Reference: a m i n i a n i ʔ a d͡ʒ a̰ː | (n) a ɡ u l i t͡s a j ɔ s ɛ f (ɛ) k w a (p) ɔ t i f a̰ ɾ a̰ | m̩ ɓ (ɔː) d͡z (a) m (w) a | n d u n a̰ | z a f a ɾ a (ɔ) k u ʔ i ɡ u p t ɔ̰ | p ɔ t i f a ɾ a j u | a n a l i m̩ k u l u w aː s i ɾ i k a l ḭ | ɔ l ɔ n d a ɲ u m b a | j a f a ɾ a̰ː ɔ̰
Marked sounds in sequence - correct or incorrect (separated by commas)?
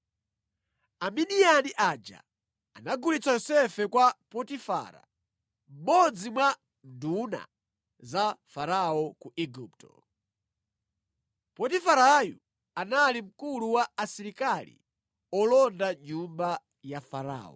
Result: correct, correct, correct, incorrect, incorrect, correct, correct